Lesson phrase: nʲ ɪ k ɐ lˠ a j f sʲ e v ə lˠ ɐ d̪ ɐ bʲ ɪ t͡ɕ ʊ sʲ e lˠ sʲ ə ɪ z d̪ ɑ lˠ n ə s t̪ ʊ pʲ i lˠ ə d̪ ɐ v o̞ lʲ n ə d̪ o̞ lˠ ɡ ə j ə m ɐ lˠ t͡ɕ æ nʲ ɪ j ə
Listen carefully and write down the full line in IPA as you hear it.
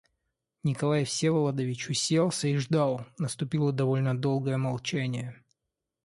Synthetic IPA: nʲ ɪ k ɐ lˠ a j f sʲ e v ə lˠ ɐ d̪ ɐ vʲ ɪ t͡ɕ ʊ sʲ e lˠ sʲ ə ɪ ʐ d̪ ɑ lˠ n ə s t̪ ʊ pʲ i lˠ ə d̪ ɐ v o̞ lʲ n ə d̪ o̞ lˠ ɡ ə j ə m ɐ lˠ t͡ɕ æ nʲ ɪ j ə